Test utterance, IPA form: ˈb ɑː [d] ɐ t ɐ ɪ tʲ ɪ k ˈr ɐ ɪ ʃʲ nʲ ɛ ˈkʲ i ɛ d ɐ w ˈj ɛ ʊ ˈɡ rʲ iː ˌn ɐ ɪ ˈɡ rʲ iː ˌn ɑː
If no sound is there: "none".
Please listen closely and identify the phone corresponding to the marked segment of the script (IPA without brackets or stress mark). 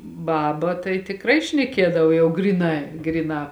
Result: b